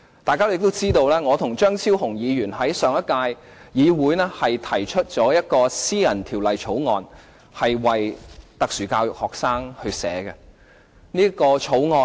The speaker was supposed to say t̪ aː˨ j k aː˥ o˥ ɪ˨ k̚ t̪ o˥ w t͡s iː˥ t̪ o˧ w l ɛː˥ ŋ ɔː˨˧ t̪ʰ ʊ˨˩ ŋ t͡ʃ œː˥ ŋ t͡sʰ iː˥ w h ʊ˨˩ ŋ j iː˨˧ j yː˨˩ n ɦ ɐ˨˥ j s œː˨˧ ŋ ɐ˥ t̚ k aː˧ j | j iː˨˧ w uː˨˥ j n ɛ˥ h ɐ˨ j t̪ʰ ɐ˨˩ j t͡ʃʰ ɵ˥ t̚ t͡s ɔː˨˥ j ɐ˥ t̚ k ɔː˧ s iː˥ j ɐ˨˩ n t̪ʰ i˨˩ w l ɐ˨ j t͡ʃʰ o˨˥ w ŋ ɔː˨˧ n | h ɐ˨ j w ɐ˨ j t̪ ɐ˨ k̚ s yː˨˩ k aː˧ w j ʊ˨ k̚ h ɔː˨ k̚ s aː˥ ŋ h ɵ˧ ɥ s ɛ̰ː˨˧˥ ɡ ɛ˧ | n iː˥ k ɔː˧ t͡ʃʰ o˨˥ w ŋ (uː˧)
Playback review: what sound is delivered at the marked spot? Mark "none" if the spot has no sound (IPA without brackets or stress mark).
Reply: ɔː˧